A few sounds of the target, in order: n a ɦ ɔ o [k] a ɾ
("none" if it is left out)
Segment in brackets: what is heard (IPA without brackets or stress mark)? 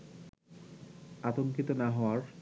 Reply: none